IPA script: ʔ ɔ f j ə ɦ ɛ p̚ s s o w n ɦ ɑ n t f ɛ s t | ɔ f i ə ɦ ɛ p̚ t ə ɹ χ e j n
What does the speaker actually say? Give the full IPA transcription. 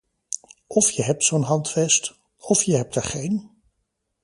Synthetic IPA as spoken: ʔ ɔ f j ə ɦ ɛ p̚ t s o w n ɦ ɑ n t f ɛ s t | ɔ f j ə ɦ ɛ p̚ t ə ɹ χ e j n